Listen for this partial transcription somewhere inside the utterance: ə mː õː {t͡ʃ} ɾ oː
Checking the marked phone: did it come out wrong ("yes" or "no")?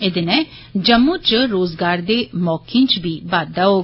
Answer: no